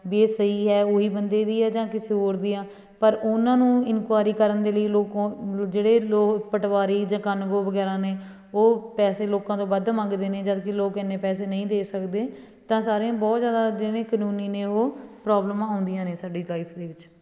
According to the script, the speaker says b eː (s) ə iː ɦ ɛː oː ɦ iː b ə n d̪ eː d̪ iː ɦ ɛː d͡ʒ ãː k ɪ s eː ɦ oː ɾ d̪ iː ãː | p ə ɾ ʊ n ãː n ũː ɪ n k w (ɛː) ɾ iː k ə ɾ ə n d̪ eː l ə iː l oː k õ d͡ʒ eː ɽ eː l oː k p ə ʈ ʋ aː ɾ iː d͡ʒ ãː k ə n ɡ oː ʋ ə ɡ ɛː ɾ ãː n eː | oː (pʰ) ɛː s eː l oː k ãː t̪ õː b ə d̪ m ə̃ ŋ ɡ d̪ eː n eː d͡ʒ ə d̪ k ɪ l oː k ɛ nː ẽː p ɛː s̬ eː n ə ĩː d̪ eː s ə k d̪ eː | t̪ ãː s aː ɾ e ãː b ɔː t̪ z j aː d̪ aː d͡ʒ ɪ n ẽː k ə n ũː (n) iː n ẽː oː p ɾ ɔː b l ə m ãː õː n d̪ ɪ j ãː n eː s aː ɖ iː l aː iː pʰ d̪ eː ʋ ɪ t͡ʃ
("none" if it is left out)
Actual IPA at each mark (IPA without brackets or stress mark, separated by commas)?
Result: s, aː, p, n